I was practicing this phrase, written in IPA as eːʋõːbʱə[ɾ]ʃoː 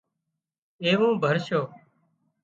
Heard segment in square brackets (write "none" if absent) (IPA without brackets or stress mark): ɾ